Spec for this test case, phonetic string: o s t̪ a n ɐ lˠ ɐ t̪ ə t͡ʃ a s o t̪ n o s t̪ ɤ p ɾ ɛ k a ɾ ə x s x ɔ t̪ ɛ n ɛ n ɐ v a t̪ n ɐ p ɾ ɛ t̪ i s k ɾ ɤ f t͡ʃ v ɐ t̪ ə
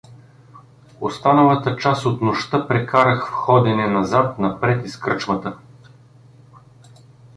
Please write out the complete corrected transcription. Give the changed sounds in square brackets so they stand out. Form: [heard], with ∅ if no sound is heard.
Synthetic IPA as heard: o s t̪ a n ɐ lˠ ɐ t̪ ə t͡ʃ a s o t̪ n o [ʃ] t̪ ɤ p ɾ ɛ k a ɾ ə x [f] x ɔ [d̪] ɛ n ɛ n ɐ [z] a t̪ n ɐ p ɾ ɛ t̪ i s k ɾ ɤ [∅] t͡ʃ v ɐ t̪ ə